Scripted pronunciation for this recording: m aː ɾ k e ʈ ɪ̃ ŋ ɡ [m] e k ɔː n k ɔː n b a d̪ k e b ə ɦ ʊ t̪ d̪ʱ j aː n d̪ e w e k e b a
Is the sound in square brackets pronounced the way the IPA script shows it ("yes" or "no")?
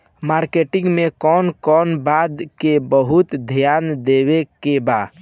yes